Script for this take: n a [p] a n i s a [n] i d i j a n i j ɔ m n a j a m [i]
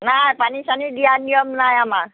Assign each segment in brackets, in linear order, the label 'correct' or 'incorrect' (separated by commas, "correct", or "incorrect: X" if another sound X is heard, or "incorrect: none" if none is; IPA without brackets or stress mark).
correct, correct, incorrect: a